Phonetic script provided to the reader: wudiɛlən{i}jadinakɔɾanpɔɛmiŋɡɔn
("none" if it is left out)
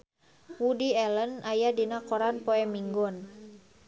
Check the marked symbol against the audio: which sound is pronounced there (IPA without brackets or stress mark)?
a